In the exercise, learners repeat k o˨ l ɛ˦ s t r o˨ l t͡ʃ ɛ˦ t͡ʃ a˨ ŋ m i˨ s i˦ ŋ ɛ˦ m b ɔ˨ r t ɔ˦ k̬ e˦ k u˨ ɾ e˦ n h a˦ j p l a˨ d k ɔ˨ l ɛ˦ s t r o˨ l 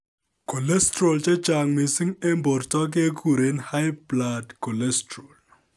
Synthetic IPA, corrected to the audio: k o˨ l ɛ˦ s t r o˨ l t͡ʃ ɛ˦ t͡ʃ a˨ ŋ m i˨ s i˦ ŋ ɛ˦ m b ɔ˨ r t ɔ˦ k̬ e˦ k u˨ ɾ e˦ n h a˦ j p l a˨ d k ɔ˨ l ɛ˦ s t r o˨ l